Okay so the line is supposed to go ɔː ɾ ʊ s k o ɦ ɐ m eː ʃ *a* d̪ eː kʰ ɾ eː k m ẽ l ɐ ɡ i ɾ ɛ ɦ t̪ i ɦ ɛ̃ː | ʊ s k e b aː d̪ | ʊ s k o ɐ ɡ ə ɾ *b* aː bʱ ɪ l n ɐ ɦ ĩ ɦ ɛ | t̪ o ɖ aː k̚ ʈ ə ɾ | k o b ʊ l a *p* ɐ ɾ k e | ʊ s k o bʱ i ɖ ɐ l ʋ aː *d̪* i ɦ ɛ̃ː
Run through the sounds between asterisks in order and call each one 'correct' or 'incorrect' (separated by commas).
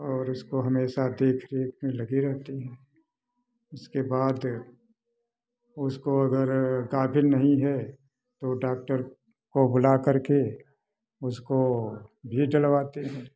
correct, incorrect, incorrect, incorrect